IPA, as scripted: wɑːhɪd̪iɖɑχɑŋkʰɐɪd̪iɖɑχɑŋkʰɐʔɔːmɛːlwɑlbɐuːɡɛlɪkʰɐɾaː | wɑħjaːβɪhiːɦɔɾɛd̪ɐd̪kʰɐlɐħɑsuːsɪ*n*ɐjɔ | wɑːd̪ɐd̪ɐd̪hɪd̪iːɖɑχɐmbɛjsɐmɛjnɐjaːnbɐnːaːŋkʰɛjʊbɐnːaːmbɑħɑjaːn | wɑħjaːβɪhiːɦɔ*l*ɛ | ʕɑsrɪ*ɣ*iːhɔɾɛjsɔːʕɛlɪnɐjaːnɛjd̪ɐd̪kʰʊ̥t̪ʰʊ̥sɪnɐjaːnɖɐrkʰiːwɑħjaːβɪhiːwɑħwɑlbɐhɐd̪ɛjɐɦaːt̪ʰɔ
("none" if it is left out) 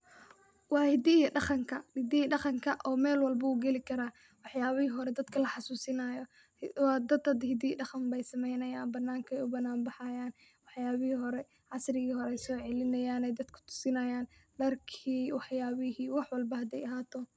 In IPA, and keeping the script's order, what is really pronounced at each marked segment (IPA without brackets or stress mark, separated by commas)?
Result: n, ɾ, ɣ